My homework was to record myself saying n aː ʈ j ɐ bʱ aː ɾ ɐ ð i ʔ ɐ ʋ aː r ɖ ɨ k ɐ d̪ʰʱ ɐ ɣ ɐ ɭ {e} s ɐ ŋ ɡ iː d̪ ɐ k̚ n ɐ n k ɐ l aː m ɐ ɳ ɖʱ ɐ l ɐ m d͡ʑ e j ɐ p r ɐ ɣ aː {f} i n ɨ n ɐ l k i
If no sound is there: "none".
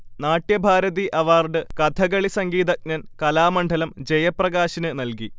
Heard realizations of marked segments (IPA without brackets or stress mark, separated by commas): i, ɕ